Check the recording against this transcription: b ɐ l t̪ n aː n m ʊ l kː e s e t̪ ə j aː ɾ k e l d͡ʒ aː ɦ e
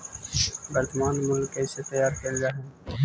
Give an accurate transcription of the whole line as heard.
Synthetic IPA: b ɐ ɾ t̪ m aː n m ʊ l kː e s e t̪ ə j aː ɾ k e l d͡ʒ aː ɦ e